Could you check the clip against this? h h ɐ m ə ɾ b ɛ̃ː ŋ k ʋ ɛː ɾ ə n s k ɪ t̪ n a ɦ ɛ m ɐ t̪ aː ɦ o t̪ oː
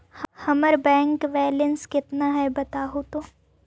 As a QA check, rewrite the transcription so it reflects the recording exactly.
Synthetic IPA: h h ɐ m ə ɾ b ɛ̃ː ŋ k ʋ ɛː l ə n s k ɪ t̪ n a ɦ ɛ b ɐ t̪ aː ɦ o t̪ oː